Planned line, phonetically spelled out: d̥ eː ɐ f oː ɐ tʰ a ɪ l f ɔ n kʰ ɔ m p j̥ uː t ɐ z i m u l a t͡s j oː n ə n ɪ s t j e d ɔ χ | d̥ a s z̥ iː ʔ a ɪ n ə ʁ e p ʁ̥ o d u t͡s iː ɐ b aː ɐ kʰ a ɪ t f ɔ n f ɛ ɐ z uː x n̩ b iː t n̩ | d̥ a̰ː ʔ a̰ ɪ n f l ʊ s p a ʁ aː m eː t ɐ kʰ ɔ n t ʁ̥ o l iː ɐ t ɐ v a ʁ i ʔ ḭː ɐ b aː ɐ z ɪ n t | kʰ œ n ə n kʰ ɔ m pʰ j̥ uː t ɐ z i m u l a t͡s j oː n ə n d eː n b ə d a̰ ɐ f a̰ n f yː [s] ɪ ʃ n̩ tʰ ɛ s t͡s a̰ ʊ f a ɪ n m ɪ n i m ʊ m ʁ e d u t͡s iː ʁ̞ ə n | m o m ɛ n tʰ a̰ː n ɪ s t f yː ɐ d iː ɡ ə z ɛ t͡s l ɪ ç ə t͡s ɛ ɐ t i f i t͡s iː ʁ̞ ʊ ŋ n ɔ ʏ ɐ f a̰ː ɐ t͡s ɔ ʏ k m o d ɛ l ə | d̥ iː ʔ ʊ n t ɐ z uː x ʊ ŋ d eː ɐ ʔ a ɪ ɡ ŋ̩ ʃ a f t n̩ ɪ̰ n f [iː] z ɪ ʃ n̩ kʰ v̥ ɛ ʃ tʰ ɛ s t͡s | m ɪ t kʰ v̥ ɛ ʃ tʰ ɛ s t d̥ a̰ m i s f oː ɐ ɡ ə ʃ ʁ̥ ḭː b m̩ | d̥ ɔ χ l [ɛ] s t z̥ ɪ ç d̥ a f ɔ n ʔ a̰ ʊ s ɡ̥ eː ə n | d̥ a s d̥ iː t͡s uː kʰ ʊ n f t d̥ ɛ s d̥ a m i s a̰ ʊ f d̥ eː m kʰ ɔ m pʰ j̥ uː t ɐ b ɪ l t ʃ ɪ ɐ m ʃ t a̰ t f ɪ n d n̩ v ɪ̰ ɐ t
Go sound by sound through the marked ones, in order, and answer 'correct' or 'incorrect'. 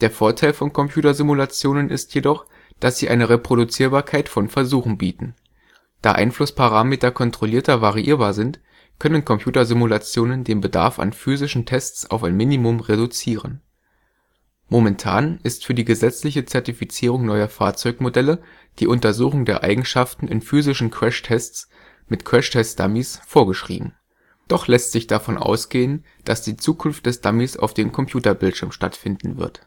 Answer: incorrect, incorrect, correct

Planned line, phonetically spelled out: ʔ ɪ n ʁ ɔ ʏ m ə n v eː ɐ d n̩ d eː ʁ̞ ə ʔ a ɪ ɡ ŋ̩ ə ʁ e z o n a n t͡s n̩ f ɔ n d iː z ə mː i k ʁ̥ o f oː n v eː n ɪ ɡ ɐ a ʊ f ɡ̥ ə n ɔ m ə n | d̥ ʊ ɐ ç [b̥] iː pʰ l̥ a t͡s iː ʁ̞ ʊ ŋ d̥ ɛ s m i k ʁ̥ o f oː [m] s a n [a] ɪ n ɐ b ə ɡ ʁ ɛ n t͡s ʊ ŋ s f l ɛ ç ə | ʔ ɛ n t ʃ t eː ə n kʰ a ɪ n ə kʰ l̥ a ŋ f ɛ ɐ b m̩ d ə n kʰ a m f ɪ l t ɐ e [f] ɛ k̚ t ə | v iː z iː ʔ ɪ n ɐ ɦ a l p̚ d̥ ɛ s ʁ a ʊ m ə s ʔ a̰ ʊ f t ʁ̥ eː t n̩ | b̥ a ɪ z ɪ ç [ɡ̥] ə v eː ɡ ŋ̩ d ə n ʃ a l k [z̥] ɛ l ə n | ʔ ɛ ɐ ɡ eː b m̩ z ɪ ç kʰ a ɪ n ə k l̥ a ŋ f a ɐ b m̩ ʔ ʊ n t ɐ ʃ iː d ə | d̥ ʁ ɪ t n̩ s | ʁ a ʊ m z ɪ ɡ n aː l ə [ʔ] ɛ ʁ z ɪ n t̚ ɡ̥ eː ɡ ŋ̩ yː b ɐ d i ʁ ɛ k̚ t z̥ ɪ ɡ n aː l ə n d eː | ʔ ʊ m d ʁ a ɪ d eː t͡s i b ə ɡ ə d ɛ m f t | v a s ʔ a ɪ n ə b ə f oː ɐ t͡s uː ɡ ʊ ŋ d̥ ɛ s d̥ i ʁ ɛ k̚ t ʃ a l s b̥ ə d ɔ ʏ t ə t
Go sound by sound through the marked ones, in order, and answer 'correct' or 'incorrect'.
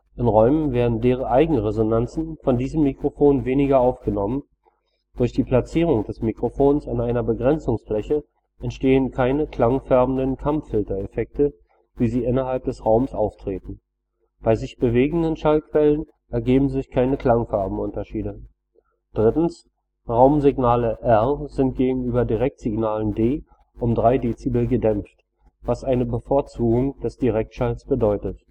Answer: incorrect, incorrect, correct, correct, incorrect, incorrect, correct

